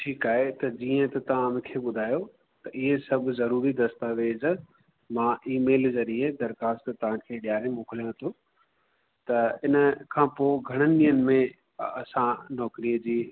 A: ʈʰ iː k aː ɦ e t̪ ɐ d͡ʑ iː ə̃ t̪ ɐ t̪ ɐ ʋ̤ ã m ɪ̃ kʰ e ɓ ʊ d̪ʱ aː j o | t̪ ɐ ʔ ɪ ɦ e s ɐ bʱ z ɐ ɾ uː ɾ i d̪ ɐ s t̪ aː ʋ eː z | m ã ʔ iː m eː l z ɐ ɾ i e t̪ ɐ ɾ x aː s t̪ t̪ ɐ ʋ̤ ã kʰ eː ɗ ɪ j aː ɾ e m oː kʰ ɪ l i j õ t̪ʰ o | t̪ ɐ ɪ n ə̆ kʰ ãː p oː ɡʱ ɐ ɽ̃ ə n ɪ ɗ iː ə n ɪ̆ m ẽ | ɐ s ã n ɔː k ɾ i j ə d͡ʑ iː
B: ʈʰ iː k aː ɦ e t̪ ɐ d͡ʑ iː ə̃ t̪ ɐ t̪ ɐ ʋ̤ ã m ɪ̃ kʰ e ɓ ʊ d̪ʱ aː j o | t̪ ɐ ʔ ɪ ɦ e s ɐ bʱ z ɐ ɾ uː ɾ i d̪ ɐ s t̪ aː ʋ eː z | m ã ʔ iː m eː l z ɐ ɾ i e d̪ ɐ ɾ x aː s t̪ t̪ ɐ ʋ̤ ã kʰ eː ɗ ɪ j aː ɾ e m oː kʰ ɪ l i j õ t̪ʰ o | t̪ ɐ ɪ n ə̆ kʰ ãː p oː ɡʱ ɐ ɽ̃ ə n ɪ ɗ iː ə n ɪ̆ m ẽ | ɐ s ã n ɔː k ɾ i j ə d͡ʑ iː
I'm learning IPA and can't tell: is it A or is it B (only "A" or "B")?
B